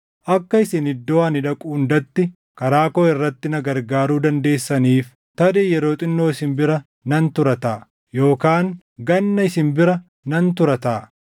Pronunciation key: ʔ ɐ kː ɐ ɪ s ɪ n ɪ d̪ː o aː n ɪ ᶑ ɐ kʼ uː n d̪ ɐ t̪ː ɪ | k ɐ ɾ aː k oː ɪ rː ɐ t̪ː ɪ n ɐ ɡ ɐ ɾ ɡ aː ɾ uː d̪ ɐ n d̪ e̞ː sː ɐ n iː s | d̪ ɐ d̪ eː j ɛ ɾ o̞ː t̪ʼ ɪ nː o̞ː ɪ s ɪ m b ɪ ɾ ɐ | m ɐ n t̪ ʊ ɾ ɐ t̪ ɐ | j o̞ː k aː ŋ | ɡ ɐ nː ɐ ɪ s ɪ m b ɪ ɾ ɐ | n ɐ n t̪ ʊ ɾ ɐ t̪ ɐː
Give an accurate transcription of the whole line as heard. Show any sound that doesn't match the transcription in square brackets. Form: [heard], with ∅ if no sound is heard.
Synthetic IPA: ʔ ɐ kː ɐ ɪ s ɪ n ɪ d̪ː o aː n ɪ ᶑ ɐ kʼ uː n d̪ ɐ t̪ː ɪ | k ɐ ɾ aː k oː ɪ rː ɐ t̪ː ɪ n ɐ ɡ ɐ ɾ ɡ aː ɾ uː d̪ ɐ n d̪ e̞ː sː ɐ n iː [f] | [t̪] ɐ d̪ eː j ɛ ɾ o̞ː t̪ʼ ɪ nː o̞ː ɪ s ɪ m b ɪ ɾ ɐ | [n] ɐ n t̪ ʊ ɾ ɐ t̪ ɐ | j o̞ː k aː ŋ | ɡ ɐ nː ɐ ɪ s ɪ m b ɪ ɾ ɐ | n ɐ n t̪ ʊ ɾ ɐ t̪ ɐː